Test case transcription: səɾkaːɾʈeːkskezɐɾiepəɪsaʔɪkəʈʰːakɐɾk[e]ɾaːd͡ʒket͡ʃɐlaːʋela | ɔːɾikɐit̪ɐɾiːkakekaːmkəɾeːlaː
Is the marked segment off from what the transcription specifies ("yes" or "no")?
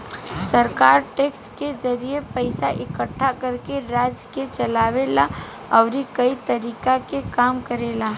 no